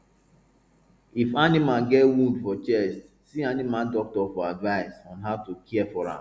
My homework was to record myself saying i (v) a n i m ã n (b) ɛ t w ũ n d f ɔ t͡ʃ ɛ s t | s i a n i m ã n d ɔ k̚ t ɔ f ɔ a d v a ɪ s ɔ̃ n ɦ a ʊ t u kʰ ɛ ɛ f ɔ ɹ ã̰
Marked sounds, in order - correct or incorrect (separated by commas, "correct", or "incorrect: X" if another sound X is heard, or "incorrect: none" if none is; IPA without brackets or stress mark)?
incorrect: f, incorrect: ɡ